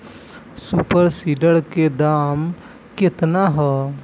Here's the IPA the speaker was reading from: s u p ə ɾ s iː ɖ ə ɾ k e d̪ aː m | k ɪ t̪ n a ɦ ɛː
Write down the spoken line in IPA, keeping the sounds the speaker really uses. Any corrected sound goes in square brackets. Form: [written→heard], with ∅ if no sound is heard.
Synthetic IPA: s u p ə ɾ s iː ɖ ə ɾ k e d̪ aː m | k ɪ t̪ n a ɦ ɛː